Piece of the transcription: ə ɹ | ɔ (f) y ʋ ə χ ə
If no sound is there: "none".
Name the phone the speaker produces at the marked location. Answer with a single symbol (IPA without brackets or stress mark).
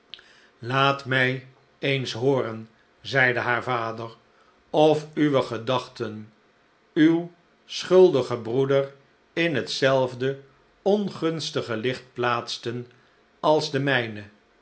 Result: f